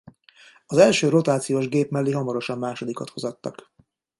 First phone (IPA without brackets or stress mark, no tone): ɒ